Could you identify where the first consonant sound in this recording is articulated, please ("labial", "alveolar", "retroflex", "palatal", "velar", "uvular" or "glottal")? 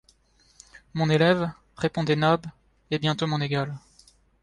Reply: labial